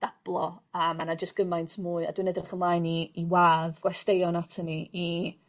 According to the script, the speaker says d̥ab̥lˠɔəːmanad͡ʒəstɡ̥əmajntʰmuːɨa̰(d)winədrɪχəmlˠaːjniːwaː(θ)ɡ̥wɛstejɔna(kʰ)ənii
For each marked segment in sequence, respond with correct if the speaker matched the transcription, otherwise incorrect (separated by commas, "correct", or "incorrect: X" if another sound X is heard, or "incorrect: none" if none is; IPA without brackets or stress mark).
correct, incorrect: ð, incorrect: tʰ